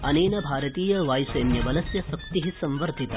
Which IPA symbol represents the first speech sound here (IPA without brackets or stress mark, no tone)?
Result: ɐ